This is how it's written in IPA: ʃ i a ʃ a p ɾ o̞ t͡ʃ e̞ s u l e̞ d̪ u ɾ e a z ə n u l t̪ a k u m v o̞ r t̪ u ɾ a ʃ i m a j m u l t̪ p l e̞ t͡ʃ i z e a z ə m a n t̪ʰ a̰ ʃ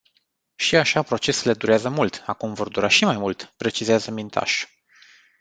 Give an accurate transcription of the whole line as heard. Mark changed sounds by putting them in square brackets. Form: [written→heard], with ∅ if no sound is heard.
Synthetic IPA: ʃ i a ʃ a p ɾ o̞ t͡ʃ e̞ s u l e̞ d̪ u ɾ e a z ə [n→m] u l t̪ a k u m v o̞ r [t̪→d̪] u ɾ a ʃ i m a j m u l t̪ p [l→ɾ] e̞ t͡ʃ i z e a z ə m [a→i] n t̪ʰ a̰ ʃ